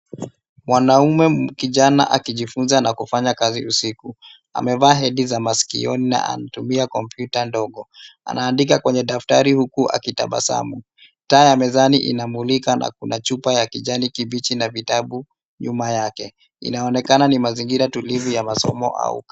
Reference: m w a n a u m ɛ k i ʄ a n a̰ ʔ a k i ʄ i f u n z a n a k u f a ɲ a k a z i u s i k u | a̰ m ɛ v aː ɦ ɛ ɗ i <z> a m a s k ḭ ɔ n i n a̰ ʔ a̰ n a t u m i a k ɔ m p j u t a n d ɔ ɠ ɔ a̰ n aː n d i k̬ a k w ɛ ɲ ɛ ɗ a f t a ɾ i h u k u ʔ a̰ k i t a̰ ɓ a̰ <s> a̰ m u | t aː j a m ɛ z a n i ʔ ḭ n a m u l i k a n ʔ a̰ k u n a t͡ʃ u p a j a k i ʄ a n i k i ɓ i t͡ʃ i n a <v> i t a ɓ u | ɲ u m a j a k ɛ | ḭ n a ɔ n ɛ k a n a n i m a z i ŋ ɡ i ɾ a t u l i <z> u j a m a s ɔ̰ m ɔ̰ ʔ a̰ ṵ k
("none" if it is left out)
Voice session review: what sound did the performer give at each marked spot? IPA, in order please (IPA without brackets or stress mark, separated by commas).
z, s, v, v